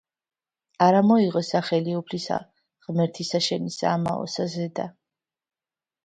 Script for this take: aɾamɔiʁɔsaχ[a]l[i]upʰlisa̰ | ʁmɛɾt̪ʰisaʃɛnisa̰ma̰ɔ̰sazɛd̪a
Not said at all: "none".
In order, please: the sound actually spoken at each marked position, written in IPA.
ɛ, i

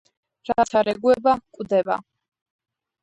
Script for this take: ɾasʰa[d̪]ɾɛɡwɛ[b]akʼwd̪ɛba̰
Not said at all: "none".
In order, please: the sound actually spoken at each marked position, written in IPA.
none, b

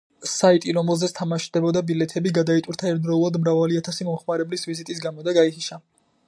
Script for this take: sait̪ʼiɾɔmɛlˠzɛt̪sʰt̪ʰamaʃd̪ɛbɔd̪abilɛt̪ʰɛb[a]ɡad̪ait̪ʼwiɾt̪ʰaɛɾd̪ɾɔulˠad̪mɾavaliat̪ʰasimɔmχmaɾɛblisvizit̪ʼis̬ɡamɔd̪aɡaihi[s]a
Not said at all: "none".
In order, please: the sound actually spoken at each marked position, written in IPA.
i, ʃ

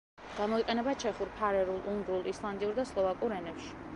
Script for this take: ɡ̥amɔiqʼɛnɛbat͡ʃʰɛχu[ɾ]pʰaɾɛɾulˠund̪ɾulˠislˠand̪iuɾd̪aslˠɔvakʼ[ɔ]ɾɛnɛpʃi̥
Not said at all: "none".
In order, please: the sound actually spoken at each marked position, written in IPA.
ɾ, u

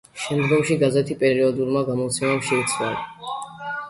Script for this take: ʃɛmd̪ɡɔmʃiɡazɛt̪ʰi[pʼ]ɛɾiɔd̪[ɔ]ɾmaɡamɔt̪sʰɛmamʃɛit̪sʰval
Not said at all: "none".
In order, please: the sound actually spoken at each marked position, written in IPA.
pʼ, u

